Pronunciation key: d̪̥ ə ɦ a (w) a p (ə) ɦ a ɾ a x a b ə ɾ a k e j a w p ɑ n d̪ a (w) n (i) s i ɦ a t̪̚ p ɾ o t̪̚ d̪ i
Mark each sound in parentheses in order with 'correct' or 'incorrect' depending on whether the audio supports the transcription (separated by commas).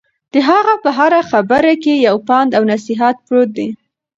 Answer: incorrect, correct, correct, incorrect